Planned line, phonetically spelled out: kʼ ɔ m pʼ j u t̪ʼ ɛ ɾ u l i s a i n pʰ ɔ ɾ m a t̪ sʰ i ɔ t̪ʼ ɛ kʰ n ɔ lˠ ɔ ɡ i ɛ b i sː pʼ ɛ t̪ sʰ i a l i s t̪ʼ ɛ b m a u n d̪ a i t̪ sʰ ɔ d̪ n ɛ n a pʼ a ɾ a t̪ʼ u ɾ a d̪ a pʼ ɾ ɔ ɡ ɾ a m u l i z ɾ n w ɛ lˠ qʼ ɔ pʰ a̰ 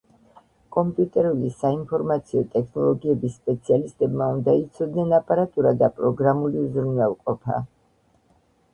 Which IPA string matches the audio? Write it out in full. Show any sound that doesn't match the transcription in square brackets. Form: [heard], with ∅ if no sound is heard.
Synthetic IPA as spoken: kʼ ɔ m pʼ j u t̪ʼ ɛ ɾ u l i s a i n pʰ ɔ ɾ m a t̪ sʰ i ɔ t̪ʼ ɛ kʰ n ɔ lˠ ɔ ɡ i ɛ b i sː pʼ ɛ t̪ sʰ i a l i s t̪ʼ ɛ b m a u n d̪ a i t̪ sʰ ɔ d̪ n ɛ n a pʼ a ɾ a t̪ʼ u ɾ a d̪ a pʼ ɾ ɔ ɡ ɾ a m u l i z ɾ n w ɛ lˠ qʼ ɔ pʰ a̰